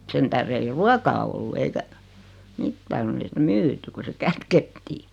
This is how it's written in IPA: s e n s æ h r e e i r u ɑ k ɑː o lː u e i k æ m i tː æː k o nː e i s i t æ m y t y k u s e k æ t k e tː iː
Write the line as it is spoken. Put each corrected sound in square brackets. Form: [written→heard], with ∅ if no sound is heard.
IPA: s e n [s→t] æ h r e e i r u ɑ k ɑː o lː u e i k æ m i tː æː k o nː e i s i t æ m [y→yː] t y k u s e k æ t k e tː iː